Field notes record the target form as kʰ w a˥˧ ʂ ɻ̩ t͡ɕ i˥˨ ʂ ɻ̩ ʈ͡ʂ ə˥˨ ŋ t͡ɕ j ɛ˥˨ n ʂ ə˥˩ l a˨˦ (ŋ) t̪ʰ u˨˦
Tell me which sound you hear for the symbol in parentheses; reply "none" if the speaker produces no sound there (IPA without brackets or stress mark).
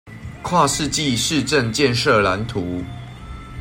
n